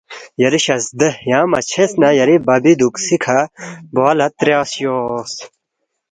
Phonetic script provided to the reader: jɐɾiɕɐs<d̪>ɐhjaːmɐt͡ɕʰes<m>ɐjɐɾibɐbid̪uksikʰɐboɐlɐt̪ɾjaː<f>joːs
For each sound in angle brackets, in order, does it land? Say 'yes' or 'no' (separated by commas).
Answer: yes, no, no